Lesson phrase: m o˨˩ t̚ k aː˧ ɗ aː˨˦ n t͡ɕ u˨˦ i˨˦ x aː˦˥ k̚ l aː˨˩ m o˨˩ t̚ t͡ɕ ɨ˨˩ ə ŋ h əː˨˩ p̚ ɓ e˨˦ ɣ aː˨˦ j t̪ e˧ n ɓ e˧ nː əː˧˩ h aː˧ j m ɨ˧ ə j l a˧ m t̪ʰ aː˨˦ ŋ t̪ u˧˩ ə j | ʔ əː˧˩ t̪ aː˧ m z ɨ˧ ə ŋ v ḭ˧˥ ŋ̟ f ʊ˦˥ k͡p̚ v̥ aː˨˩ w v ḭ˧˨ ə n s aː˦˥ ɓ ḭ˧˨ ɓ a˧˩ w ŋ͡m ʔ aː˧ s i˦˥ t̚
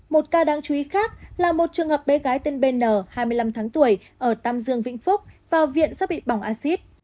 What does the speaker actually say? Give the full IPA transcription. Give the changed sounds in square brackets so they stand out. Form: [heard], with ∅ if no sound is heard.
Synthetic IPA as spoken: m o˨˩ t̚ k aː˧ ɗ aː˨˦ [ŋ] t͡ɕ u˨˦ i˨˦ x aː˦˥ k̚ l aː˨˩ m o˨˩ t̚ t͡ɕ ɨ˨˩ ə ŋ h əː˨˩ p̚ ɓ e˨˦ ɣ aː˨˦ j t̪ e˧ n ɓ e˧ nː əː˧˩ h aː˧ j m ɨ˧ ə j l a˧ m t̪ʰ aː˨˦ ŋ t̪ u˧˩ ə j | ʔ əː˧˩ t̪ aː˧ m z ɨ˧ ə ŋ v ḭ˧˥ ŋ̟ f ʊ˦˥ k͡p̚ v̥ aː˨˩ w v ḭ˧˨ ə n s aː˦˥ ɓ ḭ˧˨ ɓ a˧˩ w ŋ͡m ʔ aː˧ s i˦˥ t̚

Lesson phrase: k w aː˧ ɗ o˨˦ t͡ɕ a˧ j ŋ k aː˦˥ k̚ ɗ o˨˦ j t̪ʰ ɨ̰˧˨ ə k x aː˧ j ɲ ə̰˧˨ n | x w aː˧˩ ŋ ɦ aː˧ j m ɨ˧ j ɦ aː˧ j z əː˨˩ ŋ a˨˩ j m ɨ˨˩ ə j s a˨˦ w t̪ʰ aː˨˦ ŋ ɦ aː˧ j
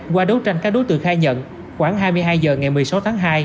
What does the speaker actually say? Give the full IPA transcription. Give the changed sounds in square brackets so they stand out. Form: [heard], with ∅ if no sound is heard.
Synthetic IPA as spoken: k w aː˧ ɗ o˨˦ t͡ɕ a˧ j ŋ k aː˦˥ k̚ ɗ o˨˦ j [t̪] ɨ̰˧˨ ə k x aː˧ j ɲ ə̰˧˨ n | x w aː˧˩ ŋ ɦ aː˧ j m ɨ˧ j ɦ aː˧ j z əː˨˩ ŋ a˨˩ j m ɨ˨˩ ə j s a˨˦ w t̪ʰ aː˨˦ ŋ ɦ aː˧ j

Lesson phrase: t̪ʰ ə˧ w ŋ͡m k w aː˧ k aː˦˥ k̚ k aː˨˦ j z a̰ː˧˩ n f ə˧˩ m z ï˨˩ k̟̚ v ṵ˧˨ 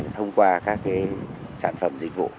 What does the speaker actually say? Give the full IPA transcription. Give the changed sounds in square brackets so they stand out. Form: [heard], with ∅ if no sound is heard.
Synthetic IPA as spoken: t̪ʰ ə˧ w ŋ͡m k w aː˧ k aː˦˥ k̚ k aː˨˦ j [s] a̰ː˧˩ n f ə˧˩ m z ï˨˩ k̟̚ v ṵ˧˨

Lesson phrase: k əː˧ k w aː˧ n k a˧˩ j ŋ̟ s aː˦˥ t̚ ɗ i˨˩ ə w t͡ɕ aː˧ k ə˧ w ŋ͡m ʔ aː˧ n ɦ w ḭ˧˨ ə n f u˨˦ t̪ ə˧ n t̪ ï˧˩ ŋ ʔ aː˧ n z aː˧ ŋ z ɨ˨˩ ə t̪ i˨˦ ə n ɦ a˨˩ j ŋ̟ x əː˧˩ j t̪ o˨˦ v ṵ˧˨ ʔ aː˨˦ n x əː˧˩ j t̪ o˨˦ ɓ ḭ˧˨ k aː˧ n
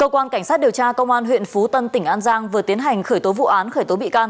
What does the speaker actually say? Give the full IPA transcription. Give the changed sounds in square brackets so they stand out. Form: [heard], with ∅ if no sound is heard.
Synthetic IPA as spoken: k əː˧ k w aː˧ n k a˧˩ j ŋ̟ s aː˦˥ t̚ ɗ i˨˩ ə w t͡ɕ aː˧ k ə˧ w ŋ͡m ʔ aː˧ n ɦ w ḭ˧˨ ə n f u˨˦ t̪ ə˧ n t̪ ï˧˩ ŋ ʔ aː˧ n z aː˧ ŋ [v] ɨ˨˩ ə t̪ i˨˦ ə n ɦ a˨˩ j ŋ̟ x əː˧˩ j t̪ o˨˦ v ṵ˧˨ ʔ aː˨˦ n x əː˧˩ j t̪ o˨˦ ɓ ḭ˧˨ k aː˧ n

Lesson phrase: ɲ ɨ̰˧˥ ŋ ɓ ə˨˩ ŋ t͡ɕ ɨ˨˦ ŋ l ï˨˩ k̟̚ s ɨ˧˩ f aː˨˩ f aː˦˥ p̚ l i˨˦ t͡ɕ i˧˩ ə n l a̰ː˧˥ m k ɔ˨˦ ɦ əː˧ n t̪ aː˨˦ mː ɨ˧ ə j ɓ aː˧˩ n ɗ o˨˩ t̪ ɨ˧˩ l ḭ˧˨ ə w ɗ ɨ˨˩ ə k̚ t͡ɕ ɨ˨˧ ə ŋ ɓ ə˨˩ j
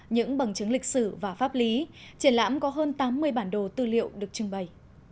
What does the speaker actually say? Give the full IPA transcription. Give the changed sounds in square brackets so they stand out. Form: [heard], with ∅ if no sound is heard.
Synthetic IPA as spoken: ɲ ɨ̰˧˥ ŋ ɓ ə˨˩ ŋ t͡ɕ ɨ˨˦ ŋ l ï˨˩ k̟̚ s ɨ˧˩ [v] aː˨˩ f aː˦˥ p̚ l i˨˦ t͡ɕ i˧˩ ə n l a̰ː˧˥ m k ɔ˨˦ ɦ əː˧ n t̪ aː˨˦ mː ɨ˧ ə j ɓ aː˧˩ n ɗ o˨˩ t̪ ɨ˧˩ l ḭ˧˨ ə w ɗ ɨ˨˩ ə k̚ t͡ɕ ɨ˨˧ ə ŋ ɓ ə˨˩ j

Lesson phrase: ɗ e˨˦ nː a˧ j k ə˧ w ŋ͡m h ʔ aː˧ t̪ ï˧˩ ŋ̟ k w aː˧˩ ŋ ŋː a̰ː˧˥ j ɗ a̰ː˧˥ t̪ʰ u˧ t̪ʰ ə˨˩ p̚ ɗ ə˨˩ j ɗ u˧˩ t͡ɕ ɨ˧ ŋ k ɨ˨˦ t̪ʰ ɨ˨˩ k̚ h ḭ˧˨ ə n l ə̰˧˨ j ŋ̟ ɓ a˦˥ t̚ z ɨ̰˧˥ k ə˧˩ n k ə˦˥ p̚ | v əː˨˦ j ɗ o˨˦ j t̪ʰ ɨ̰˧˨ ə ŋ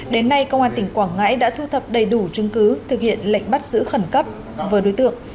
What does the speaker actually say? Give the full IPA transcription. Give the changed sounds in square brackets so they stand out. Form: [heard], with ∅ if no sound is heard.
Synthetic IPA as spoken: ɗ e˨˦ nː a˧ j k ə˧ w ŋ͡m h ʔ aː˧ t̪ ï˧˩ ŋ̟ k w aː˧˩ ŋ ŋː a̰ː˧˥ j ɗ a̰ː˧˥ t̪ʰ u˧ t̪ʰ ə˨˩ p̚ ɗ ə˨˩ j ɗ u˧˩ t͡ɕ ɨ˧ ŋ k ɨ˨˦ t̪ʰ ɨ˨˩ k̚ h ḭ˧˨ ə n l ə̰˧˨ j ŋ̟ ɓ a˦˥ t̚ z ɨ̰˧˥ [x] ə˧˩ n k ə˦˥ p̚ | v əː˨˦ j ɗ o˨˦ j [t̪] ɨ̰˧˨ ə ŋ

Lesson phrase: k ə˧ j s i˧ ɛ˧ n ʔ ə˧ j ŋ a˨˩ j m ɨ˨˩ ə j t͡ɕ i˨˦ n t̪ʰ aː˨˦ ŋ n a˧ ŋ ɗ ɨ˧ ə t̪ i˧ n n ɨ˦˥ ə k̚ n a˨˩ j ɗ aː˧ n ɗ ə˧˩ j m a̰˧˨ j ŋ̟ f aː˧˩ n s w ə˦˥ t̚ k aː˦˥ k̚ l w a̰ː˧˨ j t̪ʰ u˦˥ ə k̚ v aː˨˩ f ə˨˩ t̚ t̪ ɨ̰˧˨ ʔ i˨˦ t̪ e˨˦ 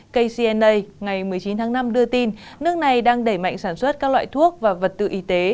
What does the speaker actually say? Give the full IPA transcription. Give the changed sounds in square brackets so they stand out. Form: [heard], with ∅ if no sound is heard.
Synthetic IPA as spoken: k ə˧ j s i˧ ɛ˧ n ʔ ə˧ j ŋ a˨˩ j m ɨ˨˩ ə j t͡ɕ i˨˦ n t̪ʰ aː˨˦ ŋ n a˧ [m] ɗ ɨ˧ ə t̪ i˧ n n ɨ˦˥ ə k̚ n a˨˩ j ɗ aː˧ [ŋ] ɗ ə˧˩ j m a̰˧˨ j ŋ̟ [s] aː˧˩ n s w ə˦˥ t̚ k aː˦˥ k̚ l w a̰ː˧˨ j t̪ʰ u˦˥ ə k̚ v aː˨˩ [v] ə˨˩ t̚ t̪ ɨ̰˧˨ ʔ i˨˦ t̪ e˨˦

